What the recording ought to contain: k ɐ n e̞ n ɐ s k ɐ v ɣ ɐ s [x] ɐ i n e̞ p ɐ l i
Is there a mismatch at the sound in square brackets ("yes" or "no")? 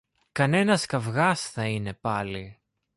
yes